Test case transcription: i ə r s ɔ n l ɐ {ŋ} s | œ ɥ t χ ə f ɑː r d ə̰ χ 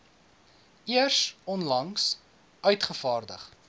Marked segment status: correct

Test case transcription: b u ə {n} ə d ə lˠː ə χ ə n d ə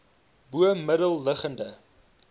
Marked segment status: incorrect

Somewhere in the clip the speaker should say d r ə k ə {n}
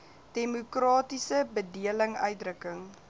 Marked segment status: incorrect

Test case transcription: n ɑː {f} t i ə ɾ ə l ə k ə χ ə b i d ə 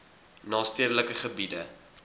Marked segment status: incorrect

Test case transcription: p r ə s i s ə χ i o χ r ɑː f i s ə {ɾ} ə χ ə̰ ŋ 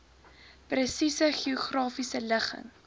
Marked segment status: incorrect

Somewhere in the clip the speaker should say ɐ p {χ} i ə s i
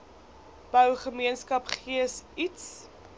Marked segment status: correct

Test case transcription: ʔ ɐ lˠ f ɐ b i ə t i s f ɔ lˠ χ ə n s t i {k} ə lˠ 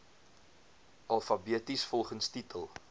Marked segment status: incorrect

